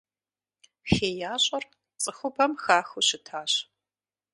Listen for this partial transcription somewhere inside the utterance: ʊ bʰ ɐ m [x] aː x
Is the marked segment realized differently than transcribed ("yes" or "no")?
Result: no